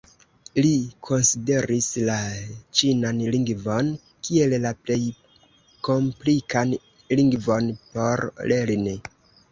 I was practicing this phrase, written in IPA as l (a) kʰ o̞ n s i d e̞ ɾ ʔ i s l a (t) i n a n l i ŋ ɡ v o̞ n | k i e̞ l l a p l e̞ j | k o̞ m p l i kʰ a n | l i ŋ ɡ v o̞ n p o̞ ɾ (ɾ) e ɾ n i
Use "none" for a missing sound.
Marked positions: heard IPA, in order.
i, t͡ʃ, l

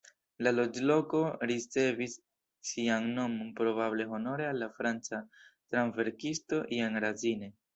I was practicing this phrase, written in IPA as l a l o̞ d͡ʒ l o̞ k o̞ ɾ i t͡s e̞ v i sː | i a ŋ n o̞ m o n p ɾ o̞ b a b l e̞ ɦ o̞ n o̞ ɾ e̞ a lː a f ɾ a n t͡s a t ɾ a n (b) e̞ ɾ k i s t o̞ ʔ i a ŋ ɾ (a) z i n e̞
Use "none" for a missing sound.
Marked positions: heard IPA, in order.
v, a

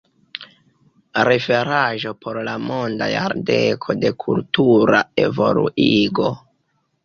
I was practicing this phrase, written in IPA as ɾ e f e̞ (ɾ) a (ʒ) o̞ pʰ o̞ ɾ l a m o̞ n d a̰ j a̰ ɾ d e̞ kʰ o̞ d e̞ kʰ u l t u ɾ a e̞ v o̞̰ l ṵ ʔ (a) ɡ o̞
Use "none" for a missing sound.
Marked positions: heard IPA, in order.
ɾ, ʒ, i

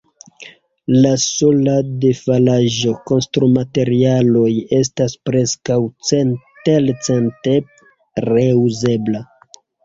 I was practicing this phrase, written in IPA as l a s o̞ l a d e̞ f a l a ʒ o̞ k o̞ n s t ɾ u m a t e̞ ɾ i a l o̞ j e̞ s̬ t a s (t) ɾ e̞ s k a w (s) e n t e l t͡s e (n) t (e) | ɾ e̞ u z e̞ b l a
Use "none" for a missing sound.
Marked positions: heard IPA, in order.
p, t͡s, n, e

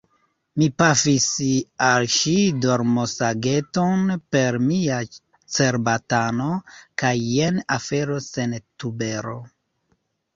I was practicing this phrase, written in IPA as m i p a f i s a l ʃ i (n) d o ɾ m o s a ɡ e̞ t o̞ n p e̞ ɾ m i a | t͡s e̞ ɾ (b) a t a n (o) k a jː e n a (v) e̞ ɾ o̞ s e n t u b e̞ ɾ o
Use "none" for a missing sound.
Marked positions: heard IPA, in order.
none, b, o, f

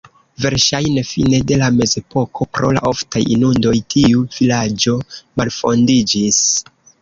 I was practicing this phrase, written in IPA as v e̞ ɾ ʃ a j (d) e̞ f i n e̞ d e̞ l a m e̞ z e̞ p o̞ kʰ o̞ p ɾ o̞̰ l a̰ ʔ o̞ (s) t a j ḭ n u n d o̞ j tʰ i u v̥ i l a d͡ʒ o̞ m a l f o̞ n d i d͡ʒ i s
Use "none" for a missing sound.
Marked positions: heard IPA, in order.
n, f

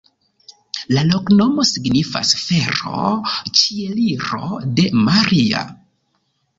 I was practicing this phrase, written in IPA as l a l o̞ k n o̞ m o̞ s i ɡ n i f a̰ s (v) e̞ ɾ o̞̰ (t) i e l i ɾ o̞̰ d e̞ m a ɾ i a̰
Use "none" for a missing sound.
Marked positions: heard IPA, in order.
f, t͡ʃ

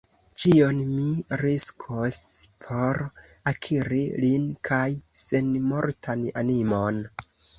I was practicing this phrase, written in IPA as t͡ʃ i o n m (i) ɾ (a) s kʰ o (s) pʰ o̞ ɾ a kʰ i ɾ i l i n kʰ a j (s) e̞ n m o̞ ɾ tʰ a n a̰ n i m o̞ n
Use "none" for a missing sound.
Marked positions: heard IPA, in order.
i, i, s, s

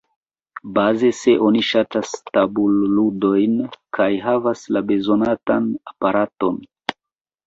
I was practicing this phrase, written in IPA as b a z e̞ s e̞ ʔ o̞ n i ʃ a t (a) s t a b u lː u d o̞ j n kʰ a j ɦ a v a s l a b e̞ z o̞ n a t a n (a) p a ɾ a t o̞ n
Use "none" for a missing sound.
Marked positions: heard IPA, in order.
a, a

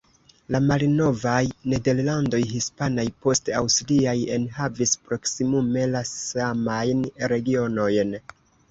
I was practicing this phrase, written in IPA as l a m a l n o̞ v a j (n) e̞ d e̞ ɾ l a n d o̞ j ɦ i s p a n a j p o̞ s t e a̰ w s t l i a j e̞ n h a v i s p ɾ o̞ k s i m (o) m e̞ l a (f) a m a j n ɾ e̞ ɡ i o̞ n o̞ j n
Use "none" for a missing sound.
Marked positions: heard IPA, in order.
n, u, s

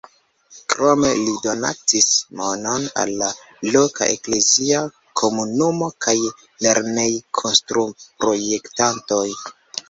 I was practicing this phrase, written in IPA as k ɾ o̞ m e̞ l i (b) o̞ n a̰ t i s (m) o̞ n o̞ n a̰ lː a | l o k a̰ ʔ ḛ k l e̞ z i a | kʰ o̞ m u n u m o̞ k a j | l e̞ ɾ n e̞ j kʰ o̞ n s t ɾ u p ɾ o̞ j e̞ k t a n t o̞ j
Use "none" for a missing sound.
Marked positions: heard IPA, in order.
d, m

